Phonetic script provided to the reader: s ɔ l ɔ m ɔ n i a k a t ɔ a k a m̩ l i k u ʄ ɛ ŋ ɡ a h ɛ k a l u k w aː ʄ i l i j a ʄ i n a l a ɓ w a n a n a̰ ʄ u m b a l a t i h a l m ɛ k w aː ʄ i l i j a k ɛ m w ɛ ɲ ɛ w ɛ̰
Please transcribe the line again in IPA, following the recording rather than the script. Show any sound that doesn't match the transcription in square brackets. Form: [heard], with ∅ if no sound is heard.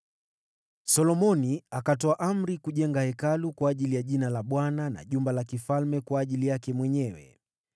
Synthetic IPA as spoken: s ɔ l ɔ m ɔ n i a k a t ɔ a [ʔ] a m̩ [ɾ] i k u ʄ ɛ ŋ ɡ a h ɛ k a l u k w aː ʄ i l i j a ʄ i n a l a ɓ w a n a n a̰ ʄ u m b a l a [k] i [f] a l m ɛ k w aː ʄ i l i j a k ɛ m w ɛ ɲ ɛ w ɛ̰

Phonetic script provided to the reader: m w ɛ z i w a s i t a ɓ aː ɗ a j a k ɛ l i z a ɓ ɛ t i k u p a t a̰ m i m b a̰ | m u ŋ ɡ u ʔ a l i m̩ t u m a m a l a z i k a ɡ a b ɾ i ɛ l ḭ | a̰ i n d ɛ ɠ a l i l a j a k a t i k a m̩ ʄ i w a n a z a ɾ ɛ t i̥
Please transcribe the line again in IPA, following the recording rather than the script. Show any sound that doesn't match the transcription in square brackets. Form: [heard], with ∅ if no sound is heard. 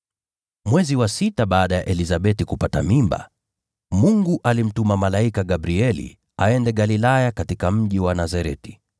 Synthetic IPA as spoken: m w ɛ z i w a s i t a ɓ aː ɗ a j a [ʔ] ɛ l i z a ɓ ɛ t i k u p a t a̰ m i m b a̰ | m u ŋ ɡ u ʔ a l i m̩ t u m a m a l a [∅] i k a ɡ a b ɾ i ɛ l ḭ | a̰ [ɛ] n d ɛ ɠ a l i l a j a k a t i k a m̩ ʄ i w a n a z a ɾ ɛ t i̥

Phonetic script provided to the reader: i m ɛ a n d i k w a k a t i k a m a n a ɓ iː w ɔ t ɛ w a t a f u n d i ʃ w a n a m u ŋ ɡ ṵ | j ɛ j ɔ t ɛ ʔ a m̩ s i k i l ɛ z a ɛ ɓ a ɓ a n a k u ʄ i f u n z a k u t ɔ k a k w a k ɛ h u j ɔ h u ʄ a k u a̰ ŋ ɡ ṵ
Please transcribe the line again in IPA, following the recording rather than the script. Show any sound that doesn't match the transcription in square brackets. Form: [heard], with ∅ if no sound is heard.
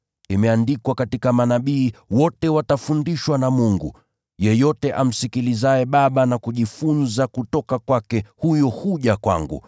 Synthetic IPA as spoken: i m ɛ a n d i k w a k a t i k a m a n a ɓ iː w ɔ t ɛ w a t a f u n d i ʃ w a n a m u ŋ ɡ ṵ | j ɛ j ɔ t ɛ ʔ a m̩ s i k i l [i] z a ɛ ɓ a ɓ a n a k u ʄ i f u n z a k u t ɔ k a k w a k ɛ h u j ɔ h u ʄ a k [w] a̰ ŋ ɡ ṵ

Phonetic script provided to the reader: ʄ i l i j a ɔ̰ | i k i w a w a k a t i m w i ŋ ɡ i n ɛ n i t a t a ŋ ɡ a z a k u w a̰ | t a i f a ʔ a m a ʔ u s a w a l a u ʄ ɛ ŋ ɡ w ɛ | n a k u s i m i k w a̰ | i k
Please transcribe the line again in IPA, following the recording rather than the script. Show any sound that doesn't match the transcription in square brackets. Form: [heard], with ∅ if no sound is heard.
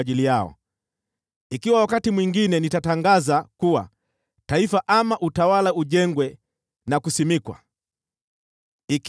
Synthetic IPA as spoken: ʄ i l i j a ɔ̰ | i k i w a w a k a t i m w i ŋ ɡ i n ɛ n i t a t a ŋ ɡ a z a k u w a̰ | t a i f a ʔ a m a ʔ u [t] a w a l a u ʄ ɛ ŋ ɡ w ɛ | n a k u s i m i k w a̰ | i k

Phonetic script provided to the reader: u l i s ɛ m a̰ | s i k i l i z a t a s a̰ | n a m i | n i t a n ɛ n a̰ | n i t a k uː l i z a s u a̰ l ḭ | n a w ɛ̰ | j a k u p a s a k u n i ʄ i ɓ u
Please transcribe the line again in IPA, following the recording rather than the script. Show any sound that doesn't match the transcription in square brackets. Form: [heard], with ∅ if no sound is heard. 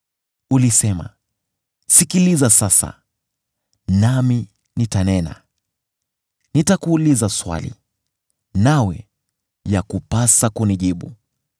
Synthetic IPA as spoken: u l i s ɛ m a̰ | s i k i l i z a [s] a s a̰ | n a m i | n i t a n ɛ n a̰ | n i t a k uː l i z a s [w] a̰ l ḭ | n a w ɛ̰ | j a k u p a s a k u n i ʄ i ɓ u

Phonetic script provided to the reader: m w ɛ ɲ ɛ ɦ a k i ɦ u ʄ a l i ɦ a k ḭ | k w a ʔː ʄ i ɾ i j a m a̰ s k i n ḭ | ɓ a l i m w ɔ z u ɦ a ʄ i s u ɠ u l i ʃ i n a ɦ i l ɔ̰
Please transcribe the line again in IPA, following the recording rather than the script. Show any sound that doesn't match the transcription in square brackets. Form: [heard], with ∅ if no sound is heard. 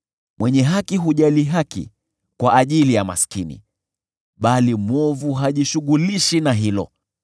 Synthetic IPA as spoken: m w ɛ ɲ ɛ ɦ a k i ɦ u ʄ a l i ɦ a k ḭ | k w a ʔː ʄ i [l] i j a m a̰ s k i n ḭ | ɓ a l i m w ɔ [v] u ɦ a ʄ i [ʃ] u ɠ u l i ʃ i n a ɦ i l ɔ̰

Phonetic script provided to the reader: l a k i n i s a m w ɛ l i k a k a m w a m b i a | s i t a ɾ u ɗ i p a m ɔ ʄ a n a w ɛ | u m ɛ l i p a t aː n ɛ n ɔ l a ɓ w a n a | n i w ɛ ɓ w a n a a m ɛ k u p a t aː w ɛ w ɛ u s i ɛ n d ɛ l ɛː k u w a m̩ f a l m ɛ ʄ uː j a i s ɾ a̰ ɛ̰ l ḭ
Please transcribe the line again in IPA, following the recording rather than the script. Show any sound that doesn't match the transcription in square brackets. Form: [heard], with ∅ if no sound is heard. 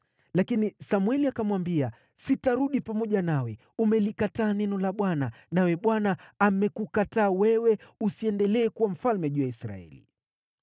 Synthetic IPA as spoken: l a k i n i s a m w ɛ l i [∅] a k a m w a m b i a | s i t a ɾ u ɗ i p a m ɔ ʄ a n a w ɛ | u m ɛ l i [k] a t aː n ɛ n ɔ l a ɓ w a n a | n [a] w ɛ ɓ w a n a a m ɛ k u [k] a t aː w ɛ w ɛ u s i ɛ n d ɛ l ɛː k u w a m̩ f a l m ɛ ʄ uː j a i s ɾ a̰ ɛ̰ l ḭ

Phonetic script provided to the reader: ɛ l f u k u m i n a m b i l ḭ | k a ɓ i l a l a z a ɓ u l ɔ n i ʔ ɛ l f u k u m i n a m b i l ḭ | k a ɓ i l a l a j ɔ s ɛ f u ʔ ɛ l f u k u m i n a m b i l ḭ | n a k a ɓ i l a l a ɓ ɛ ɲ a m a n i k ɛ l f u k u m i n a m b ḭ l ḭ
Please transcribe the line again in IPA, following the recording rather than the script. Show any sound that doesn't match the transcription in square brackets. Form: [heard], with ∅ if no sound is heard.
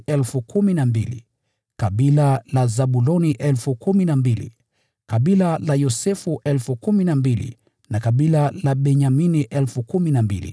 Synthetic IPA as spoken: ɛ l f u k u m i n a m b i l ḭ | k a ɓ i l a l a z a ɓ u l ɔ n i ʔ ɛ l f u k u m i n a m b i l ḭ | k a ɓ i l a l a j ɔ s ɛ f u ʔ ɛ l f u k u m i n a m b i l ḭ | n a k a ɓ i l a l a ɓ ɛ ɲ a m [i] n i [ʔ] ɛ l f u k u m i n a m b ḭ l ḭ

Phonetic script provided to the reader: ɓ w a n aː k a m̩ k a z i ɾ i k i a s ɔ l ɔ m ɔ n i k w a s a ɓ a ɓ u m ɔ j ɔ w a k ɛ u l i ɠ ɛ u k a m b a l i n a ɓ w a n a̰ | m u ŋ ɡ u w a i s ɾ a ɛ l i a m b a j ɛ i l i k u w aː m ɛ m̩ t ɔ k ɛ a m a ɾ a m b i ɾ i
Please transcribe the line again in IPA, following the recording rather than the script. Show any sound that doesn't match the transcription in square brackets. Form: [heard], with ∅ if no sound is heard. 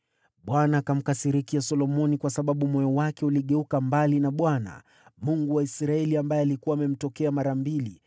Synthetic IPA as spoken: ɓ w a n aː k a m̩ k a [s] i ɾ i k i a s ɔ l ɔ m ɔ n i k w a s a ɓ a ɓ u m ɔ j ɔ w a k ɛ u l i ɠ ɛ u k a m b a l i n a ɓ w a n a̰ | m u ŋ ɡ u w a i s ɾ a ɛ l i a m b a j ɛ [a] l i k u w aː m ɛ m̩ t ɔ k ɛ a m a ɾ a m b i [l] i

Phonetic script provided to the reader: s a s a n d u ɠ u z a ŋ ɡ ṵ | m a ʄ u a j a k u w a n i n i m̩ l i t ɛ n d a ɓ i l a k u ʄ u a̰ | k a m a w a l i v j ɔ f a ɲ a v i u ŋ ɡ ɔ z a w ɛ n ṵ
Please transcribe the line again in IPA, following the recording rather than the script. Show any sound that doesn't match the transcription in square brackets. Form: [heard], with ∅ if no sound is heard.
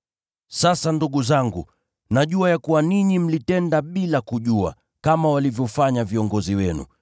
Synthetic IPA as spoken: s a s a n d u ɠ u z a ŋ ɡ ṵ | [n] a ʄ u a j a k u w a n i [ɲ] i m̩ l i t ɛ n d a ɓ i l a k u ʄ u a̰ | k a m a w a l i v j ɔ f a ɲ a v i [ɔ] ŋ ɡ ɔ z [i] w ɛ n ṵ

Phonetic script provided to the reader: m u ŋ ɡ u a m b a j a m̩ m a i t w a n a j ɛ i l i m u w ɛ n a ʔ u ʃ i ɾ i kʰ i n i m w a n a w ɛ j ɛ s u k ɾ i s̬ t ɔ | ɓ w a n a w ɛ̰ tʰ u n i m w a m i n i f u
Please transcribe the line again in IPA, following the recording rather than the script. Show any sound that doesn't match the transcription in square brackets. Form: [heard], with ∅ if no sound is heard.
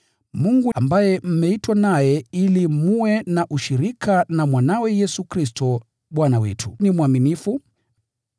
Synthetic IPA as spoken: m u ŋ ɡ u a m b a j [ɛ] m̩ m [ɛ] i t w a n a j ɛ i l i m u w ɛ n a ʔ u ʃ i ɾ i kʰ [a] n [a] m w a n a w ɛ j ɛ s u k ɾ i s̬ t ɔ | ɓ w a n a w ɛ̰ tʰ u n i m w a m i n i f u

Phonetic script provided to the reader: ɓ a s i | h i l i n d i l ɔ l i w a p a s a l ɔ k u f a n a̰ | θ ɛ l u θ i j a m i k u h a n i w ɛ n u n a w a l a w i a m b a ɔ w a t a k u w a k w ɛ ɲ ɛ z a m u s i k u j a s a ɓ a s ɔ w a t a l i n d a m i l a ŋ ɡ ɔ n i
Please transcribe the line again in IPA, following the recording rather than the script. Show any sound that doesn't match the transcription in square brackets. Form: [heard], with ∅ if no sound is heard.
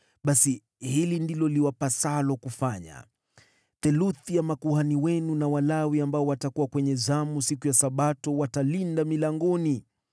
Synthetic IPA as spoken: ɓ a s i | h i l i n d i l ɔ l i w a p a s a l ɔ k u f a [ɲ] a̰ | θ ɛ l u θ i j a m [a] k u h a n i w ɛ n u n a w a l a w i a m b a ɔ w a t a k u w a k w ɛ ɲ ɛ z a m u s i k u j a s a ɓ a [t] ɔ w a t a l i n d a m i l a ŋ ɡ ɔ n i

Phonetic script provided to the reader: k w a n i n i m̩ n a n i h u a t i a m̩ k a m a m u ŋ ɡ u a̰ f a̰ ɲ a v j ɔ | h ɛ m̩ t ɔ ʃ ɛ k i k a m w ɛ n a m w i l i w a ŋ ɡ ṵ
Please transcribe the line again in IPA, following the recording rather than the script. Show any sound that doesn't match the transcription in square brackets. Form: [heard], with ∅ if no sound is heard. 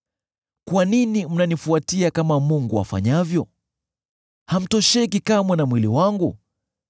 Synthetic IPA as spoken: k w a n i n i m̩ n a n i [f] u a t i a [∅] k a m a m u ŋ ɡ u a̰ f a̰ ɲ a v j ɔ | h [a] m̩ t ɔ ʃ ɛ k i k a m w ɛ n a m w i l i w a ŋ ɡ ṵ

